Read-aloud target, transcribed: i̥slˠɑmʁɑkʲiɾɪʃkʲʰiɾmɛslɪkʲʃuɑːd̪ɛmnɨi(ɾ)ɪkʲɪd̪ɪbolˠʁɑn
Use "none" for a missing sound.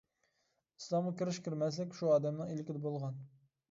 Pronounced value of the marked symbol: l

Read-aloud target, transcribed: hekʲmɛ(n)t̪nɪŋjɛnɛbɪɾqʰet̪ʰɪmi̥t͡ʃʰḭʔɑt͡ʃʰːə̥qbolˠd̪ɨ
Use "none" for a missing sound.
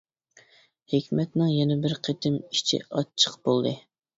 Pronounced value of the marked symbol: none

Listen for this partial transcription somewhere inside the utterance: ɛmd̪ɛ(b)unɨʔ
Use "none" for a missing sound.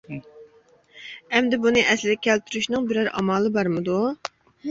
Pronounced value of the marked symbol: b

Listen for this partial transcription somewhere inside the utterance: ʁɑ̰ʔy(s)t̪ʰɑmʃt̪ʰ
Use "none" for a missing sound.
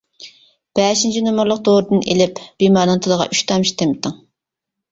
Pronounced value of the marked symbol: ʃ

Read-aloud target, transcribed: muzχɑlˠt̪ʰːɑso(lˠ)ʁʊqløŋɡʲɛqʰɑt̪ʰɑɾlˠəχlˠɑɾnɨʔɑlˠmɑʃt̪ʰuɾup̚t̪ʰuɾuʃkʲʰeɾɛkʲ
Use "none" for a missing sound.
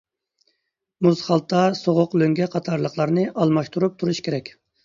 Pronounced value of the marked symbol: none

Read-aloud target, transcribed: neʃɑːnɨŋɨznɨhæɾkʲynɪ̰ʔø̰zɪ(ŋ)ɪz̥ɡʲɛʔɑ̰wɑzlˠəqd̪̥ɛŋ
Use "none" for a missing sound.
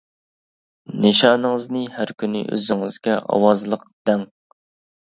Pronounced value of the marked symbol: ŋ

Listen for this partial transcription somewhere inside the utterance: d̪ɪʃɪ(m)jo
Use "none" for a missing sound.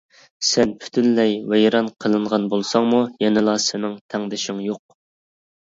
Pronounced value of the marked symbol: ŋ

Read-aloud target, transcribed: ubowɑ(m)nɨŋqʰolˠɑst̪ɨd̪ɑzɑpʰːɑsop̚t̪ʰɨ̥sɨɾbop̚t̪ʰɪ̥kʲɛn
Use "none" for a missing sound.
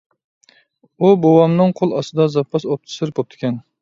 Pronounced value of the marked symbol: m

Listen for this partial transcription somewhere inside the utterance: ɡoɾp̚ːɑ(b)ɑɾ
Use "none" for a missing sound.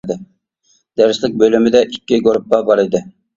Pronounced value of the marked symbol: b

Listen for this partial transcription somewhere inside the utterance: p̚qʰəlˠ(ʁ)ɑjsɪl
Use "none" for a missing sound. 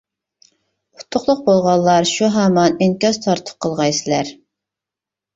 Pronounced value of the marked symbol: ʁ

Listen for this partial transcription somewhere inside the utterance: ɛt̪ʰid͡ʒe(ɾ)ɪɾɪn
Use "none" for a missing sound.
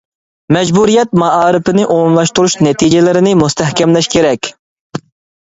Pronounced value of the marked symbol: l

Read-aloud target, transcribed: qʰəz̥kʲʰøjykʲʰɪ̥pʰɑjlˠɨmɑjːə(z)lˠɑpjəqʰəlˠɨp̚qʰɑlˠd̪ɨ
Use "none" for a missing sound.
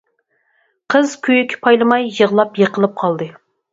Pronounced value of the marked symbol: ʁ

